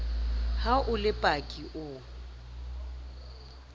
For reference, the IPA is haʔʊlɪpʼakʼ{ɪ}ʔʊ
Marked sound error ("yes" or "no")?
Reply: yes